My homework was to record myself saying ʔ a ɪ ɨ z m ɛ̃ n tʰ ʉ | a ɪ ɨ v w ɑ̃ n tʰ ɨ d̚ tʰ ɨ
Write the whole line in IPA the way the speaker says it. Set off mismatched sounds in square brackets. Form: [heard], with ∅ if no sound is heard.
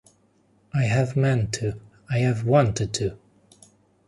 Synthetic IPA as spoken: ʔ a ɪ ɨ [v] m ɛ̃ n tʰ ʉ | a ɪ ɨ v w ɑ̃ n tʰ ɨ d̚ tʰ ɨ